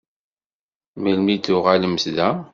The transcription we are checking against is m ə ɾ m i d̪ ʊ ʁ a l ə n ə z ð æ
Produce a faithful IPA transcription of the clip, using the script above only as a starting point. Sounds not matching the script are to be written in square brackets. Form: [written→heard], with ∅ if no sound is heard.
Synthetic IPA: m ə [ɾ→l] m i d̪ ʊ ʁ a l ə [n→m] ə [z→s] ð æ

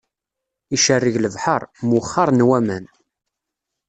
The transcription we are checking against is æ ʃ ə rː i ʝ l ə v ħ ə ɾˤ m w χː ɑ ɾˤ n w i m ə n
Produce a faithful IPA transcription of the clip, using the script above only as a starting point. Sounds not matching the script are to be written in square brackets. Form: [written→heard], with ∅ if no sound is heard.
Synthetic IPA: [æ→i] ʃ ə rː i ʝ l ə v ħ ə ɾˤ m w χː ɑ ɾˤ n w [i→æ] m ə n

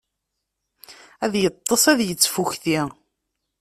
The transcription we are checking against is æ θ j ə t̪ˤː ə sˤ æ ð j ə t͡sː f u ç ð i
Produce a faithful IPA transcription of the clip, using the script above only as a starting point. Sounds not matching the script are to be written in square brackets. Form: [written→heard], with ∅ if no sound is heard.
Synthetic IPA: æ [θ→ð] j ə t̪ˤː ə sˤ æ ð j ə t͡sː f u ç [ð→θ] i

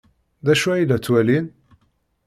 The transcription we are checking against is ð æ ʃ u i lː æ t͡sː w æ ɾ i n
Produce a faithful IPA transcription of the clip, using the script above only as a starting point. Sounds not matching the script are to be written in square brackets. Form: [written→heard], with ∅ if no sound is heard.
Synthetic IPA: ð æ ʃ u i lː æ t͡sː w æ [ɾ→l] i n

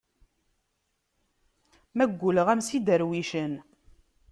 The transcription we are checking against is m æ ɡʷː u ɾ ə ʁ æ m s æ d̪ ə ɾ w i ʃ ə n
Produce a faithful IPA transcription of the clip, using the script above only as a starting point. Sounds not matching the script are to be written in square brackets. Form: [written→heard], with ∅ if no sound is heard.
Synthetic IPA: m æ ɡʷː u [ɾ→l] ə ʁ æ m s [æ→i] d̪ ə ɾ w i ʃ ə n

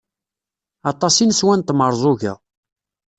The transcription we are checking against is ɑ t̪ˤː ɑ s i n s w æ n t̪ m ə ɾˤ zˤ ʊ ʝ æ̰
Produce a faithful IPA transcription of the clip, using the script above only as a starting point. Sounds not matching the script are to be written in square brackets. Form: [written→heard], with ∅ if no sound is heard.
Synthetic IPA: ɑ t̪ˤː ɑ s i n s w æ n t̪ m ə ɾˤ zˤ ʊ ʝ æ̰

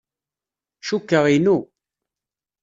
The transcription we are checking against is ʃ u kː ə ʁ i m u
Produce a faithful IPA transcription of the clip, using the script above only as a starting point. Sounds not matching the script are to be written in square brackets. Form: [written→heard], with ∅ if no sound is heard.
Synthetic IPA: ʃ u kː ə ʁ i [m→n] u

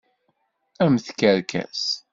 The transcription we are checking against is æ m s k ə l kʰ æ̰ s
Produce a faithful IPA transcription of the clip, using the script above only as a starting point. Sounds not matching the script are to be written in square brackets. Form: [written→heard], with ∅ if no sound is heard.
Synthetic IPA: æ m [s→θ] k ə [l→ɾ] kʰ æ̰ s

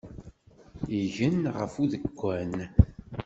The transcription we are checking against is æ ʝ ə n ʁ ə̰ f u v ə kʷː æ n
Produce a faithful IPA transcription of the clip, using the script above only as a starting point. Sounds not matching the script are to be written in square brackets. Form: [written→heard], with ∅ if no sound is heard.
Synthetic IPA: [æ→i] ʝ ə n ʁ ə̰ f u [v→ð] ə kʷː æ n

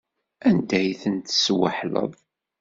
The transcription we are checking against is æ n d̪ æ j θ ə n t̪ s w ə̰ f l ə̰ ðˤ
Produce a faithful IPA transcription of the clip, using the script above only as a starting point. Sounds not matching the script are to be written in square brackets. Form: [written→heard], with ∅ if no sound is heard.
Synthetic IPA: æ n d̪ æ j θ ə n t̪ s w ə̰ [f→ħ] l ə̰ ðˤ

